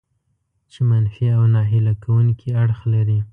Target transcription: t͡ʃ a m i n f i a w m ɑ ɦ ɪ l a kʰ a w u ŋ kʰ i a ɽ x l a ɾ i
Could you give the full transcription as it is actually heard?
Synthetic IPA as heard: t͡ʃ e m a n f i a w n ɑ ɦ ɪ l a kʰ a w u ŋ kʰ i a ɽ x l a ɾ i